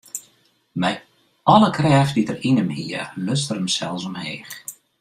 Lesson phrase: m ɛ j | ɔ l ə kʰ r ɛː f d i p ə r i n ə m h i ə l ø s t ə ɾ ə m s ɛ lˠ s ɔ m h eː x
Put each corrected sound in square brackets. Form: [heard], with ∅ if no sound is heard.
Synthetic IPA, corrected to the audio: m ɛ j | ɔ l ə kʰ r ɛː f d i [t] ə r i n ə m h i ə l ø s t ə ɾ ə m s ɛ lˠ s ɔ m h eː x

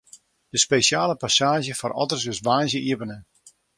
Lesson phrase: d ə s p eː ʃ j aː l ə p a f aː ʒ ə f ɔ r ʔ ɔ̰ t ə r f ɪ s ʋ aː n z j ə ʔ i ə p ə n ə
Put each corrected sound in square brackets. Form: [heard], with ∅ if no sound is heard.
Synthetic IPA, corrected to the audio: d ə s p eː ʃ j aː l ə p a [s] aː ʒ ə f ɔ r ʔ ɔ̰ t ə r [s] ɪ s ʋ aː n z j ə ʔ i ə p ə n ə

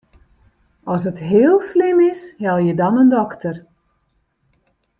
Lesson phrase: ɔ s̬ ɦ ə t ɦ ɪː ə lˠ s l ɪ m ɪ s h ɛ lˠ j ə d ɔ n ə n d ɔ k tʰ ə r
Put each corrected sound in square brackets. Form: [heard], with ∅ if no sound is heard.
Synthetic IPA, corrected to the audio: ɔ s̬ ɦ ə t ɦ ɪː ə lˠ s l ɪ m ɪ s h ɛ lˠ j ə d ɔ n ə n d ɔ k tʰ ə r

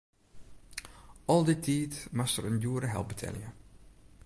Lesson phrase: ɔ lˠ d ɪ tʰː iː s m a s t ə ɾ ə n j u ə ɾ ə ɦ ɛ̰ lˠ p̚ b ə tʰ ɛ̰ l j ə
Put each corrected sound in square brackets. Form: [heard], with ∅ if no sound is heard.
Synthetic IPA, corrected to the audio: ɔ lˠ d ɪ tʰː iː [t] m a s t ə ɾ ə n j u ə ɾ ə ɦ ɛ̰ lˠ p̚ b ə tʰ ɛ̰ l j ə

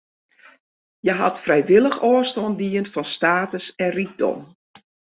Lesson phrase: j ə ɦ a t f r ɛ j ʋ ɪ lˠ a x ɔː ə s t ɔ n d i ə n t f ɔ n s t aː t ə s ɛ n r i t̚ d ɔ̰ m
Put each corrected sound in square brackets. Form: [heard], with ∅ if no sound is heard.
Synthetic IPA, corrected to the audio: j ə ɦ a t f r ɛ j ʋ ɪ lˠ [ə] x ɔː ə s t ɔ n d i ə n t f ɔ n s t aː t ə s ɛ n r i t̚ d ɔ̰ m

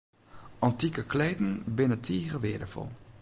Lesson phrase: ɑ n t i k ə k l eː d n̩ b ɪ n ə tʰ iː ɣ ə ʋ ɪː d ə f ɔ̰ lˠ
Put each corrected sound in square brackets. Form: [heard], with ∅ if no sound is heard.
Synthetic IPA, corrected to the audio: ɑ n t i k ə k l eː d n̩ b ɪ n ə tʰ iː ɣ ə ʋ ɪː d ə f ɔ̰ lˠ

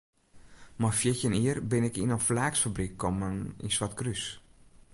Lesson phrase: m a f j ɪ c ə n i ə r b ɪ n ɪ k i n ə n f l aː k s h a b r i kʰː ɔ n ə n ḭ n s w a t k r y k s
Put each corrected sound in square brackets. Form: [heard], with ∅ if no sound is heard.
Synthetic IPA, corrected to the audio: m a f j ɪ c ə n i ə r b ɪ n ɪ k i n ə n f l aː k s [f] a b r i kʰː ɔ [m] ə n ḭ n s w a t k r y [∅] s

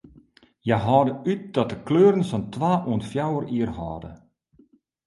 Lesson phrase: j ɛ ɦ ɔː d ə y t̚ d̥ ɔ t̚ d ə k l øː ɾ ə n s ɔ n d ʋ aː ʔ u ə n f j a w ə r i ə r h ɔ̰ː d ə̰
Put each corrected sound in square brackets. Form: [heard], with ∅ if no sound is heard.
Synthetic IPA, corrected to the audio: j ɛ ɦ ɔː d ə y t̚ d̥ ɔ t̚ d ə k l øː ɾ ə n s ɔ n [t] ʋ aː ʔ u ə n f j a w ə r i ə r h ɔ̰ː d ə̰

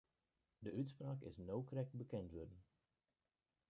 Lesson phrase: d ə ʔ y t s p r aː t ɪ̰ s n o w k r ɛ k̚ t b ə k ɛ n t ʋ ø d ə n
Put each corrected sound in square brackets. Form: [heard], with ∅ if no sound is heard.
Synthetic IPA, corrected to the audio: d ə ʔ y t s p r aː [k] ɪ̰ s n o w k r ɛ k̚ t b ə k ɛ n t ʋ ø d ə n

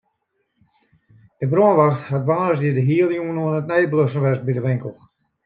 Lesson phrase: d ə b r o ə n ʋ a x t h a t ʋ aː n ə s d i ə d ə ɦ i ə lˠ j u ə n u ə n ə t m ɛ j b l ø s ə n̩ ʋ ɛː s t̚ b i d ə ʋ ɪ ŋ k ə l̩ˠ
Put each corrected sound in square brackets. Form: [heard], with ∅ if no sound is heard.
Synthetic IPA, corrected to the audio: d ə b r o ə n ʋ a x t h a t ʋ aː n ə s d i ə d ə ɦ i ə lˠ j u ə n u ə n ə t [n] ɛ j b l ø s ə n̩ ʋ [ɛ] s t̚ b i d ə ʋ ɪ ŋ k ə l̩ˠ

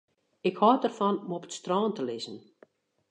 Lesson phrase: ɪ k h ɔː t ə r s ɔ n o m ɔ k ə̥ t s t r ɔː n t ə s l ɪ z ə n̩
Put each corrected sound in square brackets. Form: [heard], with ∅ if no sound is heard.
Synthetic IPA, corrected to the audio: ɪ k h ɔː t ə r [f] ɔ n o m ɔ [p] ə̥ t s t r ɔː n t ə [∅] l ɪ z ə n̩

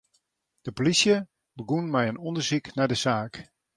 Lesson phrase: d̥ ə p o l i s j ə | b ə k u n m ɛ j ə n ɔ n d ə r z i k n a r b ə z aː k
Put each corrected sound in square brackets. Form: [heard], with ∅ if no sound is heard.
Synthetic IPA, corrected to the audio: d̥ ə p o l i s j ə | b ə [ɡ] u n m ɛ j ə n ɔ n d ə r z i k n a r [d] ə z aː k

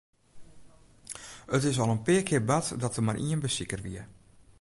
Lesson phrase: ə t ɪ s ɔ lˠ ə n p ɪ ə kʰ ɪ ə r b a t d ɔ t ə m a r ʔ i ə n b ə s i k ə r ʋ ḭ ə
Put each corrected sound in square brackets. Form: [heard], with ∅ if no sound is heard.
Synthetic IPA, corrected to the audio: ə t ɪ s ɔ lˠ ə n p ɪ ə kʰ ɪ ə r b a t d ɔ t ə m a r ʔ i ə n b ə s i k ə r ʋ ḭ ə

